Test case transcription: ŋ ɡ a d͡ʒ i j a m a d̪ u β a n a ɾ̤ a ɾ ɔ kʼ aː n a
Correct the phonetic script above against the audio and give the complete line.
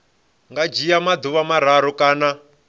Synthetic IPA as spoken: ŋ ɡ a d͡ʒ i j a m a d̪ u β a m a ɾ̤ a ɾ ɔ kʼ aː n a